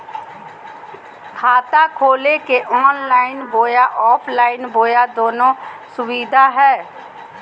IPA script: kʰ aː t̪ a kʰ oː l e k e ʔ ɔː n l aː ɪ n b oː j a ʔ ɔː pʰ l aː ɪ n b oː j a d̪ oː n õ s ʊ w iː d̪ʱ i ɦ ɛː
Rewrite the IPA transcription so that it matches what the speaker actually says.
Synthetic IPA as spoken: kʰ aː t̪ a kʰ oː l e k e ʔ ɔː n l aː ɪ n b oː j a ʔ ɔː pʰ l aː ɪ n b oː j a d̪ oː n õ s ʊ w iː d̪ʱ a ɦ ɛː